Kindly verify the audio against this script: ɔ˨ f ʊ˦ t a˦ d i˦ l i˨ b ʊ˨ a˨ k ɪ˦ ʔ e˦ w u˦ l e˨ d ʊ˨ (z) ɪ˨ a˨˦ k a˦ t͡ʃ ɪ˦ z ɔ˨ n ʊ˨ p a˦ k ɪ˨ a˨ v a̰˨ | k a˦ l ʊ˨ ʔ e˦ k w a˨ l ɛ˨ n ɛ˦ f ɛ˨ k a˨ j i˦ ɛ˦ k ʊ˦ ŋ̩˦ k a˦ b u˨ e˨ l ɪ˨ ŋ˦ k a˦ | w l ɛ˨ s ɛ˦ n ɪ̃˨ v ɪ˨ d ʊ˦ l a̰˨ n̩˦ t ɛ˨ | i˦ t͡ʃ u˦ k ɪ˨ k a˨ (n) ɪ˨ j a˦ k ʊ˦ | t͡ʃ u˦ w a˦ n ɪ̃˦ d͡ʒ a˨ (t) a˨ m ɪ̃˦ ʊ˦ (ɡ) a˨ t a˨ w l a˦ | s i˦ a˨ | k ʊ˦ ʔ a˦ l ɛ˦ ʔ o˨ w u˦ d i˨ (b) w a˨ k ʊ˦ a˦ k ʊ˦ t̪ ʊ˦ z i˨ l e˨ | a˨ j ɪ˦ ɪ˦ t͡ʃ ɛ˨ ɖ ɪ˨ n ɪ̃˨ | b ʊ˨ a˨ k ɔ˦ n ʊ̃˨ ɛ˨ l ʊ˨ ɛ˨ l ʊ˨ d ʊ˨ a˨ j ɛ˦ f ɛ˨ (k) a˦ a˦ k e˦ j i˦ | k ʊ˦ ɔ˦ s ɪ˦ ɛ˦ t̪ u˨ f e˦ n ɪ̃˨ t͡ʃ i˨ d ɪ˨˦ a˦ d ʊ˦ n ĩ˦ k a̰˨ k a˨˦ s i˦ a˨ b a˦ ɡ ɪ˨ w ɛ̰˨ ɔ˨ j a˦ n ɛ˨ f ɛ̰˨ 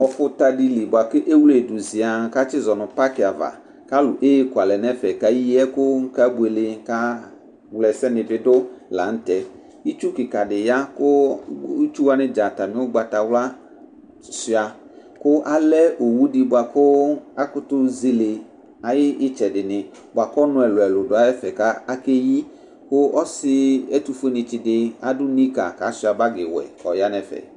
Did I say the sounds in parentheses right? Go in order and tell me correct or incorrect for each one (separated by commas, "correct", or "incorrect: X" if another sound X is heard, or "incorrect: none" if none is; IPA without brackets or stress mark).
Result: correct, incorrect: d, correct, incorrect: ɡ͡b, correct, correct